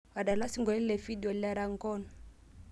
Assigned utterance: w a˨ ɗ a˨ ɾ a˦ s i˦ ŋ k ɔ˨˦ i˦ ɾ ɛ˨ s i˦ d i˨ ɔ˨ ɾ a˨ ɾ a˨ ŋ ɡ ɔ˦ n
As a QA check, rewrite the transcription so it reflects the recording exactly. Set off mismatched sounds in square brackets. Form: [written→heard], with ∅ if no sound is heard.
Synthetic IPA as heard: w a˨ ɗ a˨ [ɾ→l] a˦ s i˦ ŋ [k→ɡ] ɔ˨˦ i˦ [ɾ→l] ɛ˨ [s→f] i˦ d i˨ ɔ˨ [ɾ→l] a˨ ɾ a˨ ŋ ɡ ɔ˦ n